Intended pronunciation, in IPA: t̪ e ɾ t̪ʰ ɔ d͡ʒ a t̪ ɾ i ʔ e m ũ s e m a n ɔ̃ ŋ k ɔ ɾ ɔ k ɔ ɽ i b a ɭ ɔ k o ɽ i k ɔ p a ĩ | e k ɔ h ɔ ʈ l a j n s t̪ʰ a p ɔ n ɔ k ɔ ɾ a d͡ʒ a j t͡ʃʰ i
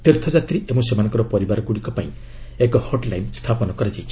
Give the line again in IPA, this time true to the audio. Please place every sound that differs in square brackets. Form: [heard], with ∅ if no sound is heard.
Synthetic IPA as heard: t̪ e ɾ t̪ʰ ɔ d͡ʒ a t̪ ɾ i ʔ e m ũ s e m a n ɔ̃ ŋ k ɔ ɾ ɔ [p] ɔ [ɾ] i b a [ɾ] ɔ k [u] ɽ i k ɔ p a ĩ | e k ɔ h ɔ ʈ l a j n s t̪ʰ a p ɔ n ɔ k ɔ ɾ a d͡ʒ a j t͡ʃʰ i